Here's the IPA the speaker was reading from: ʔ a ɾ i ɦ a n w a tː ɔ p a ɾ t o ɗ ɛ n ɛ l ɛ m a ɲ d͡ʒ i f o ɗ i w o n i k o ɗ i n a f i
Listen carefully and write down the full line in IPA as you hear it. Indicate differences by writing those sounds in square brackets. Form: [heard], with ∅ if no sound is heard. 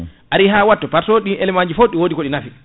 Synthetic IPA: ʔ a ɾ i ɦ a [∅] w a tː ɔ p a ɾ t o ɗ [i] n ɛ l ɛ m a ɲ d͡ʒ i f o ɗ i w o [d] i k o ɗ i n a f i

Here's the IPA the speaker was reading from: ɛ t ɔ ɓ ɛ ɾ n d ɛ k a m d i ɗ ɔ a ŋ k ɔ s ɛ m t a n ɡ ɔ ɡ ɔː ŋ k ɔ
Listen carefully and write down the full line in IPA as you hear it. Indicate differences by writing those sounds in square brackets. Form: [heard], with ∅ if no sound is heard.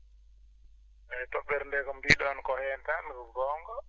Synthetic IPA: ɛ t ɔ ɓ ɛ ɾ n d ɛ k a m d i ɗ ɔ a [n] k ɔ [h] ɛ [n] t a n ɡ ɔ ɡ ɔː ŋ [ɡ] ɔ

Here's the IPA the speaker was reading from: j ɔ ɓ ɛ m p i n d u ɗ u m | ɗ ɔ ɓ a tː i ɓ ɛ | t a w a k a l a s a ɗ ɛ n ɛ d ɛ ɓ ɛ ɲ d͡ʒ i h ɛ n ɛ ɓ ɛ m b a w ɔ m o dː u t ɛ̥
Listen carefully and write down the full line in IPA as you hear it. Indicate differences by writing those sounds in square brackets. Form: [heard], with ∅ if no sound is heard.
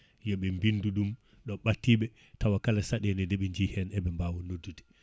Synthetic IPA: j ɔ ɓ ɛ m [b] i n d u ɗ u m | ɗ ɔ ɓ a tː i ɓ ɛ | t a w a k a l a s a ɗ ɛ n ɛ d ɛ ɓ ɛ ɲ d͡ʒ i h ɛ n ɛ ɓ ɛ m b a w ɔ [n] o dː u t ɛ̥

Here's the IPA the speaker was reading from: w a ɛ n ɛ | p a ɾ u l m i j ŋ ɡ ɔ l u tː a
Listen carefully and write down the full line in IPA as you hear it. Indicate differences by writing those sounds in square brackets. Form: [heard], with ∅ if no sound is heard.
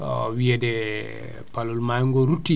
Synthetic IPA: w [i] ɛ [d] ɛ | p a [l] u l m [a] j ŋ ɡ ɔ [ɾ] u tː [i]

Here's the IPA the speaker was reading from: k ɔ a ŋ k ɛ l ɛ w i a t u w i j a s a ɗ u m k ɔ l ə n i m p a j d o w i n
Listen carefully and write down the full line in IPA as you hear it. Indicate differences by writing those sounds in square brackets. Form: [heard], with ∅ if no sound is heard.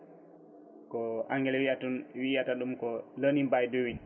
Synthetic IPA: k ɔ a ŋ [ɡ] ɛ l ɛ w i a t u w i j a [t] a ɗ u m k ɔ l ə n i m [b] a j d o w i n

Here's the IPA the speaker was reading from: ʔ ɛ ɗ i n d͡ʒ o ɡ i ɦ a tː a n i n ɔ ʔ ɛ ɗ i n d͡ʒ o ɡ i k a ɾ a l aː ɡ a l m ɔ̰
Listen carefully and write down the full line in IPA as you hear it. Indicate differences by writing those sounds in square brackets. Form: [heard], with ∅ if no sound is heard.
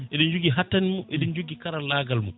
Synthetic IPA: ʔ ɛ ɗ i n d͡ʒ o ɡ i ɦ a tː a n i [m] ɔ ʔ ɛ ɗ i n d͡ʒ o ɡ i k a ɾ a l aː ɡ a l m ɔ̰

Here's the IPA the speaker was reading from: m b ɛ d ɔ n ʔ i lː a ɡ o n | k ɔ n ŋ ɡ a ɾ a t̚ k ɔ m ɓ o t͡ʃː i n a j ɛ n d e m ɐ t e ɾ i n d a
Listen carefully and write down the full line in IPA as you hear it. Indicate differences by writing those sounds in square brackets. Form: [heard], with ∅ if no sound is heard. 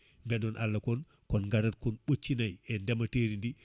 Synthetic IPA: m b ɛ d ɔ n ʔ [a] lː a [k] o n | k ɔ n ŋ ɡ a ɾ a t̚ k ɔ [n] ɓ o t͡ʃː i n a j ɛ n d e m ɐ t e ɾ i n d [i]

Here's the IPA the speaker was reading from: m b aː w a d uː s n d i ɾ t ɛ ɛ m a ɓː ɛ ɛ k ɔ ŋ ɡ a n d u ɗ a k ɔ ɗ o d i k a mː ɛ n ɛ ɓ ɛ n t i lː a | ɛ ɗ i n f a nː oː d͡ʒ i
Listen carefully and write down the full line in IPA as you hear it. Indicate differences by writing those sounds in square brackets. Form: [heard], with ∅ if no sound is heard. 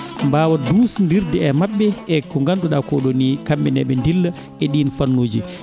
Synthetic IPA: m b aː w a d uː s n d i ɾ [d] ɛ ɛ m a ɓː ɛ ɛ k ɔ ŋ ɡ a n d u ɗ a k ɔ ɗ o [n] i k a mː ɛ n ɛ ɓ ɛ n [d] i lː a | ɛ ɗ i n f a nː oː d͡ʒ i

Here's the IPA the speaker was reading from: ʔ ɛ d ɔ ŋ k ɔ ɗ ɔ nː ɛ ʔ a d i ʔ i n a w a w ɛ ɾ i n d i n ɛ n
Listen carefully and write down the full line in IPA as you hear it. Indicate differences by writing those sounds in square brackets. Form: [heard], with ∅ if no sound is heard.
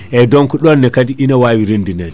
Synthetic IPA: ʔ ɛ d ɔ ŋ k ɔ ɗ ɔ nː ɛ [k] a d i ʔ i n a w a w [i] ɾ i n d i n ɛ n

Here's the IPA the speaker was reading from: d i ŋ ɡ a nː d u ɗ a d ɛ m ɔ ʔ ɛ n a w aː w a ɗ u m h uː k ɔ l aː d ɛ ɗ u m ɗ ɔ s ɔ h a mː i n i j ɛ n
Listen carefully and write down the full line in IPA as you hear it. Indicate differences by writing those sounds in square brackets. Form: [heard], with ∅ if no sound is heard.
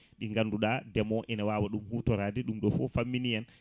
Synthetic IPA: [ɗ] i ŋ ɡ a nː d u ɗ a d ɛ m ɔ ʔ ɛ n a w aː w a ɗ u m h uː [t] ɔ [ɾ] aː d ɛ ɗ u m ɗ ɔ [f] ɔ [f] a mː i n i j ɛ n

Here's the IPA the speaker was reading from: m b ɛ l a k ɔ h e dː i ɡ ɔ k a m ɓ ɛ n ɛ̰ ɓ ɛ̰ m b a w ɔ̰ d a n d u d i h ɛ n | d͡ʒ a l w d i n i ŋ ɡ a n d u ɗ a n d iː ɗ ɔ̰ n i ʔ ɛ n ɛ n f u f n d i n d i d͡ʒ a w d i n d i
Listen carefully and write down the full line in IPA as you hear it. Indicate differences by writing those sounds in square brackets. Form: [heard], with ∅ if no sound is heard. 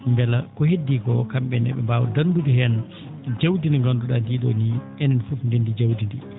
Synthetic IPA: m b ɛ l a k ɔ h e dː i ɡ ɔ k a m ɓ ɛ n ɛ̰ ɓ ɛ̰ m b a w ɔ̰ d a n d u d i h ɛ n | d͡ʒ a [∅] w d i n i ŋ ɡ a n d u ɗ a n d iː ɗ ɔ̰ n i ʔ ɛ n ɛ n f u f n d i n d i d͡ʒ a w d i n d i

